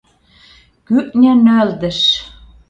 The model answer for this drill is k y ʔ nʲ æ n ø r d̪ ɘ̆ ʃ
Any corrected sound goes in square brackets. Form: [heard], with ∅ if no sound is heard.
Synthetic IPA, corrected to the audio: k y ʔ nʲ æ n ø [l] d̪ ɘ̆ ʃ

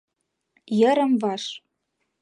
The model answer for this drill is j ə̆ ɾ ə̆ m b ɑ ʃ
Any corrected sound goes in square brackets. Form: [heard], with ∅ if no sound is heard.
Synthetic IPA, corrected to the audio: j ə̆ ɾ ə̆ m [v] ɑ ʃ

